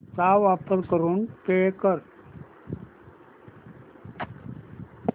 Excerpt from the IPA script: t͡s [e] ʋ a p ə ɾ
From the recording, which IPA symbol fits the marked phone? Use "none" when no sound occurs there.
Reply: a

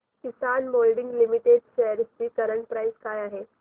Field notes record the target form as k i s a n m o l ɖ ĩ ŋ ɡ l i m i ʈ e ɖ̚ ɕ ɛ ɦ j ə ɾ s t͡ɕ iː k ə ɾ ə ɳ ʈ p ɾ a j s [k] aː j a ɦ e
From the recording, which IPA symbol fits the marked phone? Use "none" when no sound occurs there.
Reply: k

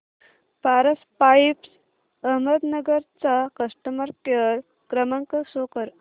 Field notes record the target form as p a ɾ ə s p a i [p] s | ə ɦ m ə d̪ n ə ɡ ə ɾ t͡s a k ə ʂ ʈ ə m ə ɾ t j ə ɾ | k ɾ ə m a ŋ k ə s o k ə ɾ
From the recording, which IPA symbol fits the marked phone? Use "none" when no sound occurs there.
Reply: p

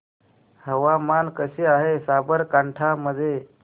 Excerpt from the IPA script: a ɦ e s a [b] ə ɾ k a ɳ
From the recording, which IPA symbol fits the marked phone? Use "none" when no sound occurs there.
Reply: b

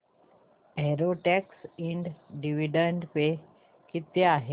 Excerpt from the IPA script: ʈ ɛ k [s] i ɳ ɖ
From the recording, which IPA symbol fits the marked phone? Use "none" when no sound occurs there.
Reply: s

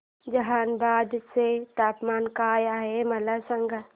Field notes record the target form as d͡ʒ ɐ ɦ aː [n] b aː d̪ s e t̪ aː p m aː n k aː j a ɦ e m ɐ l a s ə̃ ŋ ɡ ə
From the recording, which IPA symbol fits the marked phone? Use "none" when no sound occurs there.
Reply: n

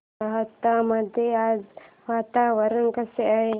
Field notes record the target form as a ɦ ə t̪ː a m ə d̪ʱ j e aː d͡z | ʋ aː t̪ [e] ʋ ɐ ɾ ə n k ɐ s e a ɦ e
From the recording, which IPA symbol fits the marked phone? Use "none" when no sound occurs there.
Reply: a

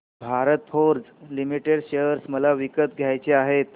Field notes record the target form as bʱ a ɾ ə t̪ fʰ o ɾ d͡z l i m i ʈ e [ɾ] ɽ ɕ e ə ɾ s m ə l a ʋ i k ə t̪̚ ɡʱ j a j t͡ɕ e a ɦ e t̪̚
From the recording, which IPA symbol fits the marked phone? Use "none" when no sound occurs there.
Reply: none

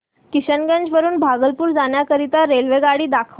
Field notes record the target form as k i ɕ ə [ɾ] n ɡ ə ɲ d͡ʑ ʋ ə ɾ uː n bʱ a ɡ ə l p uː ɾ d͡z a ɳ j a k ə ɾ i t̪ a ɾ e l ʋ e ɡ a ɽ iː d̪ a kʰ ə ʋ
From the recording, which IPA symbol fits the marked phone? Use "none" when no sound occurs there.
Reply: none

